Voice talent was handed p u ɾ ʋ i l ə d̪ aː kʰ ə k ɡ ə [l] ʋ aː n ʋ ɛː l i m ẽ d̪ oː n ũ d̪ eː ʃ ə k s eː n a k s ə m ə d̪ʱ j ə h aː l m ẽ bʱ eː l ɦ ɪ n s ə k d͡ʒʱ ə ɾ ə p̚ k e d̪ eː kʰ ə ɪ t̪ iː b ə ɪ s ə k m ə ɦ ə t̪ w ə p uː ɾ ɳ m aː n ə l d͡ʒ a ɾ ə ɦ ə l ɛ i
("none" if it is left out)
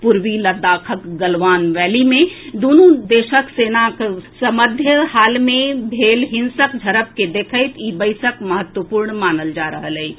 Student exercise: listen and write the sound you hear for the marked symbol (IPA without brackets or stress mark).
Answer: l